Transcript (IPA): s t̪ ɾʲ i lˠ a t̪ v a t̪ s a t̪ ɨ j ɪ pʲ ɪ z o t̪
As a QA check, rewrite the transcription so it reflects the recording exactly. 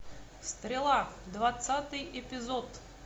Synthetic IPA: s t̪ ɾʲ ɪ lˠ a d̪ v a t̪ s a t̪ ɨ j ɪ pʲ ɪ z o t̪

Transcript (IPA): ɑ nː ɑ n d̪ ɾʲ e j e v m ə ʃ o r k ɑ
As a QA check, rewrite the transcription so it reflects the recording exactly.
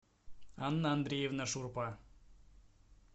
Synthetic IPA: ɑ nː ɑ n d̪ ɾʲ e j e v n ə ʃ u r p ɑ

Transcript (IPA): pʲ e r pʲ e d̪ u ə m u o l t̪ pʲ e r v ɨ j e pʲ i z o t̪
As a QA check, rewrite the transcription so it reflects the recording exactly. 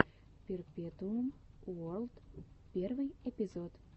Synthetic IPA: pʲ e r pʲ e t̪ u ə m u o l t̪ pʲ e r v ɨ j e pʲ i z o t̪

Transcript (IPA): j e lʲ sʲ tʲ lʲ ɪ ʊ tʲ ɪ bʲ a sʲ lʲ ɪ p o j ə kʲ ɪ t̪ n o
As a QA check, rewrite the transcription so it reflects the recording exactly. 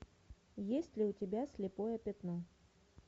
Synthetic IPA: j e sʲ tʲ lʲ ɪ ʊ tʲ ɪ bʲ a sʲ lʲ ɪ p o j ə pʲ ɪ t̪ n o

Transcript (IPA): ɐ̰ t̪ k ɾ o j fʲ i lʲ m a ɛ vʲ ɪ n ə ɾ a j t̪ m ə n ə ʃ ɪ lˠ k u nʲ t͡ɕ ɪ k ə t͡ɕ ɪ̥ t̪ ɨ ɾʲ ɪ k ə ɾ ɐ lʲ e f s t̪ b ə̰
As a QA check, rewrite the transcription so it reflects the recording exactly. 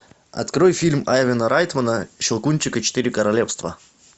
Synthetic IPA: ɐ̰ t̪ k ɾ o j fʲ i lʲ m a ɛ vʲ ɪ n ə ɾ a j t̪ m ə n ə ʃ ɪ lˠ k u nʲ t͡ɕ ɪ k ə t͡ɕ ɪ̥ t̪ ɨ ɾʲ ɪ k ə ɾ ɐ lʲ e f s t̪ v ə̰

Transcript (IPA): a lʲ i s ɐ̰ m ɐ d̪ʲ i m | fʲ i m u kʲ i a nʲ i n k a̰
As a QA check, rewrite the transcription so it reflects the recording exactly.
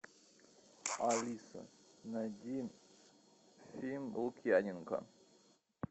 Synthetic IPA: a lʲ i s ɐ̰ n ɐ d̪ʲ i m | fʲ i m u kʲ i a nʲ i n k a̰

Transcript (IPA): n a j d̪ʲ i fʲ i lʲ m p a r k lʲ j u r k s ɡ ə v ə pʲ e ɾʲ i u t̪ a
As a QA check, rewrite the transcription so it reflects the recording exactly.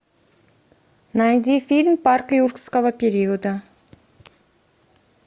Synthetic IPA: n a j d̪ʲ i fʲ i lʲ m p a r k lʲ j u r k s k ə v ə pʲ e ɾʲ i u d̪ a

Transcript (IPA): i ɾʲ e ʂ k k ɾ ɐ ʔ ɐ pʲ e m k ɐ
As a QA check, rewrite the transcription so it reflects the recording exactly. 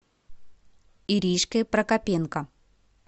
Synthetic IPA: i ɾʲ i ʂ k p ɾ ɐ k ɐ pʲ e n k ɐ

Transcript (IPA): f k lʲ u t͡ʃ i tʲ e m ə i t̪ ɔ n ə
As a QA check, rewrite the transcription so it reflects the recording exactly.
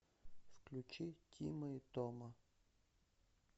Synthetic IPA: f k lʲ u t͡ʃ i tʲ i m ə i t̪ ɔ m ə

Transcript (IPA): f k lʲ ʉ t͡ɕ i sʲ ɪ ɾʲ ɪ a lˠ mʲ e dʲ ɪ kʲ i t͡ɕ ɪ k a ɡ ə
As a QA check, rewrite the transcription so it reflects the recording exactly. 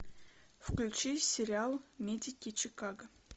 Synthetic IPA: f k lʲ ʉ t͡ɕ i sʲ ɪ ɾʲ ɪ a lˠ mʲ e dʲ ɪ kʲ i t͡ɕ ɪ k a ɡ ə

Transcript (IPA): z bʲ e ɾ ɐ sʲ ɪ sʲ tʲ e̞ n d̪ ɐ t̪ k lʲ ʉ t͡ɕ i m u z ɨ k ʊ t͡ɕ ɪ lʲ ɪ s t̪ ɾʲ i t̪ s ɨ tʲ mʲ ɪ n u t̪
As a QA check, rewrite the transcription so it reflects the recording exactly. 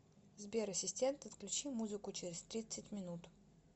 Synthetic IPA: z bʲ e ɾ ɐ sʲ ɪ sʲ tʲ e̞ n t̪ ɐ t̪ k lʲ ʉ t͡ɕ i m u z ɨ k ʊ t͡ɕ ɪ ɾʲ ɪ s t̪ ɾʲ i t̪ s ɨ tʲ mʲ ɪ n u t̪

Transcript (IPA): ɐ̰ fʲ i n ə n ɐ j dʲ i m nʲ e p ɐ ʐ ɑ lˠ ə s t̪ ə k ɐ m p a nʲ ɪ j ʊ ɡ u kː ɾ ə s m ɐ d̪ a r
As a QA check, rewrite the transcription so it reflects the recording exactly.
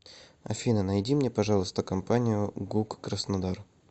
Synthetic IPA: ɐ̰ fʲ i n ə n ɐ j dʲ i m nʲ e p ɐ ʐ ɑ lˠ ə s t̪ ə k ɐ m p a nʲ ɪ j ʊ ɡ u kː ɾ ə s n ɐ d̪ a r

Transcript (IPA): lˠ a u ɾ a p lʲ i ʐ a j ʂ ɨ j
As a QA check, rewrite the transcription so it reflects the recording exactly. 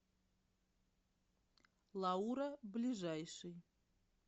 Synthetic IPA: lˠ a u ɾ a b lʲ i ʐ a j ʂ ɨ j

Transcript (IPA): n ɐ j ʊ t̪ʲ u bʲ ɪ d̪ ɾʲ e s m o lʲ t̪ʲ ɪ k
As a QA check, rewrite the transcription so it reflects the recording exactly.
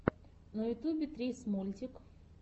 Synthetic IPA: n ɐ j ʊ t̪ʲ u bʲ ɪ t̪ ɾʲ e s m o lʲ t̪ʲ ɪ k

